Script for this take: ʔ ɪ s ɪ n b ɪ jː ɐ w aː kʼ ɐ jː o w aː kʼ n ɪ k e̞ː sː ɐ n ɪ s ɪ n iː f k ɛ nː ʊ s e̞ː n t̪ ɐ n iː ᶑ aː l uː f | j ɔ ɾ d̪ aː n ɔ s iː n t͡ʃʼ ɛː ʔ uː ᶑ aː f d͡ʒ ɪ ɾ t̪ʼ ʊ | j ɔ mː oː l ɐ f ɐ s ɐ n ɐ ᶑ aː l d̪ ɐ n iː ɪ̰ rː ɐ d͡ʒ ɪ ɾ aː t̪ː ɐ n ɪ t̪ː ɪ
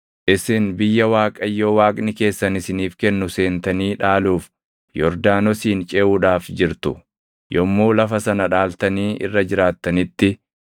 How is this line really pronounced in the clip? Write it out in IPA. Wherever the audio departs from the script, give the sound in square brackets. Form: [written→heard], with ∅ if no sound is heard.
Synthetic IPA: ʔ ɪ s ɪ n b ɪ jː ɐ w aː kʼ ɐ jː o w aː kʼ n ɪ k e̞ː sː ɐ n ɪ s ɪ n iː f k ɛ nː ʊ s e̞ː n t̪ ɐ n iː ᶑ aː l uː f | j ɔ ɾ d̪ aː n ɔ s iː n t͡ʃʼ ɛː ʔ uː ᶑ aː f d͡ʒ ɪ ɾ [t̪ʼ→t̪] ʊ | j ɔ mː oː l ɐ f ɐ s ɐ n ɐ ᶑ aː l [d̪→t̪] ɐ n iː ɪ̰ rː ɐ d͡ʒ ɪ ɾ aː t̪ː ɐ n ɪ t̪ː ɪ